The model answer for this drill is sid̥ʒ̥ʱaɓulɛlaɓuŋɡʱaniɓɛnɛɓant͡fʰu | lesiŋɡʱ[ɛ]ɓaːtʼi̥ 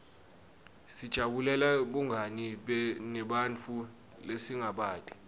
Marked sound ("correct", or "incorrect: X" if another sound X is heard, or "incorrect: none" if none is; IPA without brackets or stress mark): incorrect: a